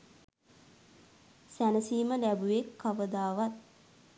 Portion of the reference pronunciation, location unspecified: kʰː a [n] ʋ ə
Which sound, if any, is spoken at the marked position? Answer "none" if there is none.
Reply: none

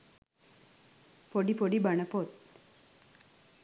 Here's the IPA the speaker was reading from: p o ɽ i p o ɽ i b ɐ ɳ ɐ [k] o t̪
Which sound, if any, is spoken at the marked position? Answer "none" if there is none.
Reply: p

